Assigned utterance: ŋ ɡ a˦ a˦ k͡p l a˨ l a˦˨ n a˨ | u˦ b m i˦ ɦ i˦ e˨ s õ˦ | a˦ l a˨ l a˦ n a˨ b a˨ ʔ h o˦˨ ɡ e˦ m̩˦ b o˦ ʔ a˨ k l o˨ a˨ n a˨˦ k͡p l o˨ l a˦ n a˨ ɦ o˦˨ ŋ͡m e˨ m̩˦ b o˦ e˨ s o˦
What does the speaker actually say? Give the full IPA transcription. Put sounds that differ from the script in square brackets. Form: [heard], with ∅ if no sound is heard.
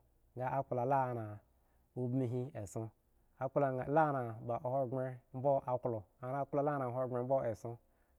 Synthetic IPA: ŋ ɡ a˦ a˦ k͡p l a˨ l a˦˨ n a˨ | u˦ b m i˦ ɦ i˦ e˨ s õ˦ | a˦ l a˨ l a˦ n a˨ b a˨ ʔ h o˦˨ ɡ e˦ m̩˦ b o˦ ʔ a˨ k l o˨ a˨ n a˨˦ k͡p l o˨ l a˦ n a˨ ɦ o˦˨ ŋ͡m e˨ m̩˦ b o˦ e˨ s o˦